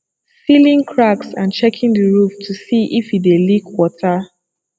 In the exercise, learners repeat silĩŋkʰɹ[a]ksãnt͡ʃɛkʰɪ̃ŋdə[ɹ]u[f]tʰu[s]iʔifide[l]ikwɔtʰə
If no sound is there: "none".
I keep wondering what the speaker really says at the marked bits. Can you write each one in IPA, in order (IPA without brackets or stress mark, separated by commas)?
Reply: a, ɹ, f, s, l